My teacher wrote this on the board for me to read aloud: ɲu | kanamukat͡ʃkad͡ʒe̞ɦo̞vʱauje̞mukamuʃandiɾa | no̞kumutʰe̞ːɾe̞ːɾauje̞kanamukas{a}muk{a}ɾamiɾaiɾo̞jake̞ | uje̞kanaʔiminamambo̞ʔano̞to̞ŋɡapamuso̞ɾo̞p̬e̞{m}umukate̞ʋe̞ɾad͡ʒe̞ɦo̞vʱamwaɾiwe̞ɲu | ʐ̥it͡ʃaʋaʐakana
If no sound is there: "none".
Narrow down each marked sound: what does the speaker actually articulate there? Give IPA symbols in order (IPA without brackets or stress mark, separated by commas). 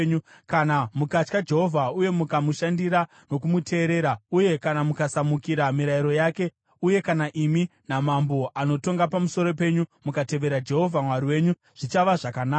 a, i, ɲ